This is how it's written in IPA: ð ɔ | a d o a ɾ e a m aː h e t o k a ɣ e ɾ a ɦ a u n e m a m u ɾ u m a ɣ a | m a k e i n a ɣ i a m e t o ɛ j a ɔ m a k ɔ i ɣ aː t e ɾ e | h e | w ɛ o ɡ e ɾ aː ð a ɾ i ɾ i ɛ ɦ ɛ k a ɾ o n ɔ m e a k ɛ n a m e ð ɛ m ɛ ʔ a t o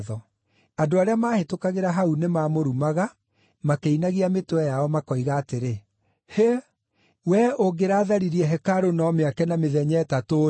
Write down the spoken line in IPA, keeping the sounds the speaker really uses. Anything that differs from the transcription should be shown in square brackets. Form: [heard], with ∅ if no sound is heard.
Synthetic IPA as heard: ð ɔ | a d o a ɾ e a m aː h e t o k a ɣ e ɾ a ɦ a u n e m a m [o] ɾ u m a ɣ a | m a k e i n a ɣ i a m e t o ɛ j a ɔ m a k ɔ i ɣ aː t e ɾ e | h e | w ɛ o ɡ e ɾ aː ð a ɾ i ɾ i ɛ ɦ ɛ k a ɾ o n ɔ m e a k ɛ n a m e ð ɛ [ɲ] ɛ [t] a t o